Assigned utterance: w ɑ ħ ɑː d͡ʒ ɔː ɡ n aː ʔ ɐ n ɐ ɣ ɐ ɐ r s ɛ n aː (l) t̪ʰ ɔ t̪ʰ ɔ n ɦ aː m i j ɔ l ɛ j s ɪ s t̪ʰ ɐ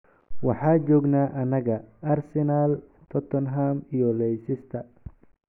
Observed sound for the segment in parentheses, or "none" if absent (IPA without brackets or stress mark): l